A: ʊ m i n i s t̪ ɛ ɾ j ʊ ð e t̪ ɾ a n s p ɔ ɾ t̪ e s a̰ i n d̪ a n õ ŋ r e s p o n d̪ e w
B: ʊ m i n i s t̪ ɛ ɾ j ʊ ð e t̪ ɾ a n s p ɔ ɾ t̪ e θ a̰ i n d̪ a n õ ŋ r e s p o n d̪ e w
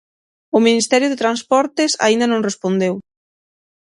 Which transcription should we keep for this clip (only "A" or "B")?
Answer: A